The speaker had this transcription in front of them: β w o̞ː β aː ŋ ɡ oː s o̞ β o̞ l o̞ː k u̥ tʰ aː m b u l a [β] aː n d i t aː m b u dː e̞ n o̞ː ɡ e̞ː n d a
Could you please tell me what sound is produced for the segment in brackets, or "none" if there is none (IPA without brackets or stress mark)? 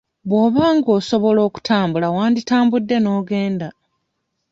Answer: w